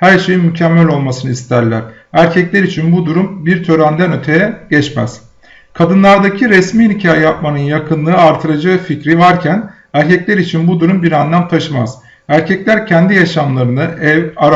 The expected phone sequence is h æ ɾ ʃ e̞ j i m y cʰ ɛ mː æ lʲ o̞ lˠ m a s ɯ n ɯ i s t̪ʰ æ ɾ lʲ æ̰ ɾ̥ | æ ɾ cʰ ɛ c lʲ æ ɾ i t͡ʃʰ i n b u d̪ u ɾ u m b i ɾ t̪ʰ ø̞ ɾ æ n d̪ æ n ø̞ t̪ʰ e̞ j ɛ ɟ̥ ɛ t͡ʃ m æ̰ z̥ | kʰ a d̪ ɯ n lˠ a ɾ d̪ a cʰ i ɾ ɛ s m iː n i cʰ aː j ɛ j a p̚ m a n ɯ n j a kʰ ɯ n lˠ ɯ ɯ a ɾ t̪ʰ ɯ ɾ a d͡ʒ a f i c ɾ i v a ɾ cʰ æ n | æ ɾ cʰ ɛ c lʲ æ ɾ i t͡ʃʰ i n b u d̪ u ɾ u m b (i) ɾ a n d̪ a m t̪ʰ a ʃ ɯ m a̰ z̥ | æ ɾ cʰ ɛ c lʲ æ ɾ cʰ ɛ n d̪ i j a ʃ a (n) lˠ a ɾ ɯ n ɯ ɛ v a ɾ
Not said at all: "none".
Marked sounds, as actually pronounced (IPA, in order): i, m

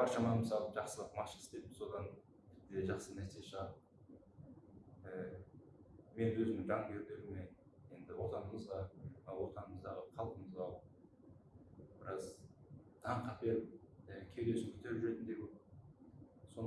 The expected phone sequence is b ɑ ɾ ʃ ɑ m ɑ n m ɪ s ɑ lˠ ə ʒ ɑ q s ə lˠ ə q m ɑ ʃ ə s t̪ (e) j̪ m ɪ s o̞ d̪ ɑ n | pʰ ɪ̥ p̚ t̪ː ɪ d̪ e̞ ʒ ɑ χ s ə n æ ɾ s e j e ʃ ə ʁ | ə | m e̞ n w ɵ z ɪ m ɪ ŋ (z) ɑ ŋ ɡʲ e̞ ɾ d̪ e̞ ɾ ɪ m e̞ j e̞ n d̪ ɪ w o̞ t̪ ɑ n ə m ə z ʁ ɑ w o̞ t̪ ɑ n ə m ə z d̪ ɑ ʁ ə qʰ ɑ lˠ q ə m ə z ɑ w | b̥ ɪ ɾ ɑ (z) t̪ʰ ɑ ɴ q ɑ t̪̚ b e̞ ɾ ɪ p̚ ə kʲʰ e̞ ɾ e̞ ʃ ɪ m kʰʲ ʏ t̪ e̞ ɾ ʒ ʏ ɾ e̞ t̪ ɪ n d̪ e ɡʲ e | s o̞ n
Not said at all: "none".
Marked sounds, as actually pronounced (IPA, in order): e, ʒ, z

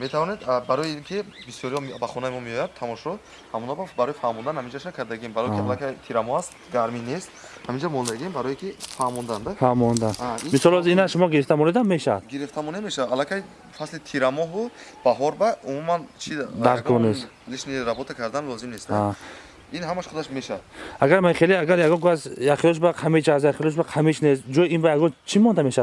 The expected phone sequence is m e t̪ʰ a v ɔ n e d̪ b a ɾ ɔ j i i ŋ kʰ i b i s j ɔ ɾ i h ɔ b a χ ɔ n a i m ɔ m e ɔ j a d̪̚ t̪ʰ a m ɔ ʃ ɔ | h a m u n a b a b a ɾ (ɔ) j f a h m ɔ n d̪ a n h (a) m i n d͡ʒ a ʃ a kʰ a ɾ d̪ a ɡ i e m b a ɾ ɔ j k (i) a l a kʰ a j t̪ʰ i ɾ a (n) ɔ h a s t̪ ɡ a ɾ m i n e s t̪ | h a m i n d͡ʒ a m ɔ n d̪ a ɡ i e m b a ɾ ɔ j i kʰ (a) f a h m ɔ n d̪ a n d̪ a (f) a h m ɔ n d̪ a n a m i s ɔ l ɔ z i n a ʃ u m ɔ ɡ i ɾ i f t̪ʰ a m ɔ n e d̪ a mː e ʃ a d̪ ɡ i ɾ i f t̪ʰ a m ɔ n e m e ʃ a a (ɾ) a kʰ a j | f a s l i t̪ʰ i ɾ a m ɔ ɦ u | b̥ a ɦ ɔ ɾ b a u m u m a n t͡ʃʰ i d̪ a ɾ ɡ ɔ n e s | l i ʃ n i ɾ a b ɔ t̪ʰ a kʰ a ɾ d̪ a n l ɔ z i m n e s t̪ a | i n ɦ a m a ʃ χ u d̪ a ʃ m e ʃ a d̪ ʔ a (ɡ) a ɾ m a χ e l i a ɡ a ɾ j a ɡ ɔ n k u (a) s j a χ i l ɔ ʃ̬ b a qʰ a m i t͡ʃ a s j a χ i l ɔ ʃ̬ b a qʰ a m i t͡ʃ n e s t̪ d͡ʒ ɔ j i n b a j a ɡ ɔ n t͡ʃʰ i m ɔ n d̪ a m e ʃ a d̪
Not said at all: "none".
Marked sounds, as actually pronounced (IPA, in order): ɔ, a, i, m, i, f, l, ɡ, a

